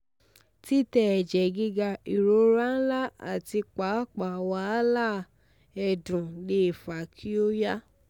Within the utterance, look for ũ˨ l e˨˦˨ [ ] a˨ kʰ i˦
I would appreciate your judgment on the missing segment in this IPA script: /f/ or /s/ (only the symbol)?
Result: f